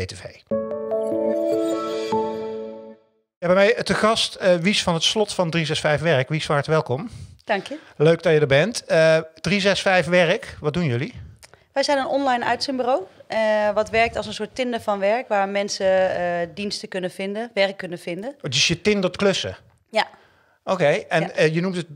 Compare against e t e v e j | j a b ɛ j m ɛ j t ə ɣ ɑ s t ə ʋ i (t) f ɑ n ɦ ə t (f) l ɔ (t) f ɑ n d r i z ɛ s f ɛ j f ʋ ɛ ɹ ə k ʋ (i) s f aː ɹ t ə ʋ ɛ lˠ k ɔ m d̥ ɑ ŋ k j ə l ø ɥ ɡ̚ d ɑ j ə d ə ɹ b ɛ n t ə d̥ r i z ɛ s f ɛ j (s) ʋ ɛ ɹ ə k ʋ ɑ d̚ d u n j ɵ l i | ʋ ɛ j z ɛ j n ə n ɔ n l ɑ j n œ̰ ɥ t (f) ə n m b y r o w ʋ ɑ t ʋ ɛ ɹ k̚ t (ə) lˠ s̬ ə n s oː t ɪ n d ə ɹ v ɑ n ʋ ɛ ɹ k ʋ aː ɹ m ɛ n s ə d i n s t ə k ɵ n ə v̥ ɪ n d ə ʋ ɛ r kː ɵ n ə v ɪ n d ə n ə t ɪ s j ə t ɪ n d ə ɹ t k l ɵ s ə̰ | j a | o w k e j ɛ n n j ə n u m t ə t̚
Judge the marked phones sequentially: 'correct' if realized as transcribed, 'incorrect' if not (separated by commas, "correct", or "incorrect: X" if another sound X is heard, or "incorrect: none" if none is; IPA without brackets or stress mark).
incorrect: s, incorrect: s, correct, correct, incorrect: f, incorrect: s, incorrect: ɑ